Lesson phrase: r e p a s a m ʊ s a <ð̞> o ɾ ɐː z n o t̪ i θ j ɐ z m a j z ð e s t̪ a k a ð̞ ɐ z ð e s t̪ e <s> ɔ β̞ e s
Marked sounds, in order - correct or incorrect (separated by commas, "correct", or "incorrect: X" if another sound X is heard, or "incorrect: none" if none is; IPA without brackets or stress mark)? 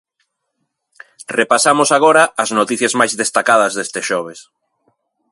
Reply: incorrect: ɣ̞, incorrect: ʃ